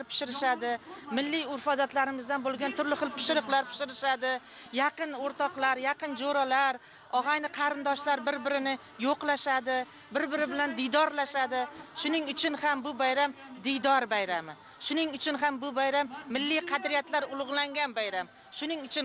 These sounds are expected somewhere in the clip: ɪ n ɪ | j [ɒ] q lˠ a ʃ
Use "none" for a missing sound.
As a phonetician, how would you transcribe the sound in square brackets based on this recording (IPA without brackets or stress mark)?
o